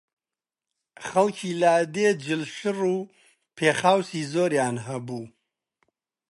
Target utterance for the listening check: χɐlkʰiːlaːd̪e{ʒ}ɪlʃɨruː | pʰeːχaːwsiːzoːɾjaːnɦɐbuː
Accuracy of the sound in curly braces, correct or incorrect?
incorrect: d͡ʒ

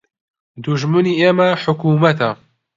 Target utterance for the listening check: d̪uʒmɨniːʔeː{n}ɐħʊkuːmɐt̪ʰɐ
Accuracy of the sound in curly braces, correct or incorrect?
incorrect: m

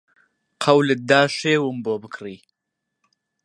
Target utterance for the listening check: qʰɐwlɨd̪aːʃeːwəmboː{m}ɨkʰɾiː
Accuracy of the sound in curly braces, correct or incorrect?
incorrect: b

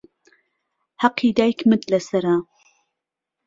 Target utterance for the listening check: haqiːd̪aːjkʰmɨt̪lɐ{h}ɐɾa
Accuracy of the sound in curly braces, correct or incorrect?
incorrect: s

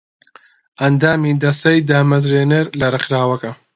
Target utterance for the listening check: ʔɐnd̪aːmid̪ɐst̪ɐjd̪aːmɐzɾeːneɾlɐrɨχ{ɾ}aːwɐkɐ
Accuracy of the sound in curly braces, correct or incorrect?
correct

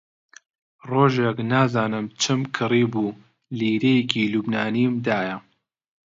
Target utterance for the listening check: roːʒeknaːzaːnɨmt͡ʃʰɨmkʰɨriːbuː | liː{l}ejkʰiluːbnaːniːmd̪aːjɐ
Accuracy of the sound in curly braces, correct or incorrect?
incorrect: ɾ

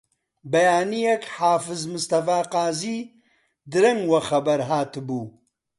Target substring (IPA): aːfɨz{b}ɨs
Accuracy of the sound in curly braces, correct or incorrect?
incorrect: m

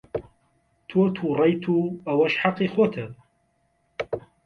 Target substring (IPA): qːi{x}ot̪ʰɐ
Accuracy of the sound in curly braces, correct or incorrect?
correct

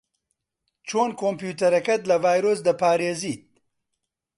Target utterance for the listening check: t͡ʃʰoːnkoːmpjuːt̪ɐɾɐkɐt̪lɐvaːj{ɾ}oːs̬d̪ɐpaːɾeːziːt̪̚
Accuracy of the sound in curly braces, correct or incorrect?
correct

